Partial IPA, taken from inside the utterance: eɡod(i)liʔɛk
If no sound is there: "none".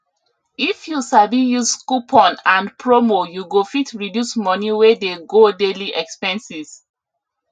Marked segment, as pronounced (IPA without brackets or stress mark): e